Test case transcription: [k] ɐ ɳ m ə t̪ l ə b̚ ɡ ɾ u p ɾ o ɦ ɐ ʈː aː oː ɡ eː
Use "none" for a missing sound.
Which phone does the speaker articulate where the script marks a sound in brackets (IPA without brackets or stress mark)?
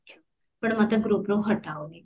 p